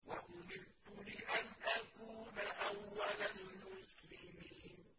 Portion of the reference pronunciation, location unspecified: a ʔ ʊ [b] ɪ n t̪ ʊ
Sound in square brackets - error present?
yes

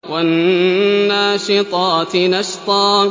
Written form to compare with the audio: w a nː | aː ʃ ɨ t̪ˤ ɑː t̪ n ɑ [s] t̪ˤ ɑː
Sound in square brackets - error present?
yes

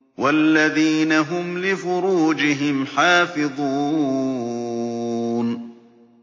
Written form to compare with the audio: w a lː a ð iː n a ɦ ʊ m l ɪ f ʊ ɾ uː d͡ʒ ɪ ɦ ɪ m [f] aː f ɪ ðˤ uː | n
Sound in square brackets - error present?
yes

